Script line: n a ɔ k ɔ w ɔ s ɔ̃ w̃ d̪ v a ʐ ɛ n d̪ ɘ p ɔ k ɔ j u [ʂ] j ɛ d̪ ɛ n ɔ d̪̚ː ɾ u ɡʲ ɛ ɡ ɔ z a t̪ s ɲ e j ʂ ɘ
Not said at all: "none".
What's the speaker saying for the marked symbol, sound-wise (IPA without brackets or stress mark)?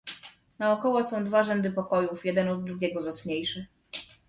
f